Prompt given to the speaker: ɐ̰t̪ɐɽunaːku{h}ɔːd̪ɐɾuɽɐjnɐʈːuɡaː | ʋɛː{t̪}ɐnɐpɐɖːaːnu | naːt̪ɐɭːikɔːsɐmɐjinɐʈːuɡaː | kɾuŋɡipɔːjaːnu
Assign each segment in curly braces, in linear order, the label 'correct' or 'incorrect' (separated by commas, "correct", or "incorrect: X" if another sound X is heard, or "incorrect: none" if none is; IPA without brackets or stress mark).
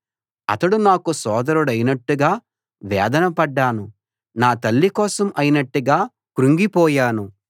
incorrect: s, incorrect: d̪